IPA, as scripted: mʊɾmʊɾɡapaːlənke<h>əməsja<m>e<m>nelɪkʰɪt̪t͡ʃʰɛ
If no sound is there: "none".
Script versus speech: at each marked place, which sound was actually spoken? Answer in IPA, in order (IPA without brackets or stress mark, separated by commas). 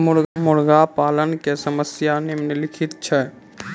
s, n, m